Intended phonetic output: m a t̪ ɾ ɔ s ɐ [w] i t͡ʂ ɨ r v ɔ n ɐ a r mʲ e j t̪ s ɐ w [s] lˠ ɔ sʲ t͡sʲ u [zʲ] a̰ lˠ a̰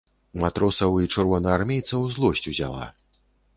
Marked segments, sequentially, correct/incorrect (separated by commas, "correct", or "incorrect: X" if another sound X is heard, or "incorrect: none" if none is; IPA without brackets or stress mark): correct, incorrect: z, correct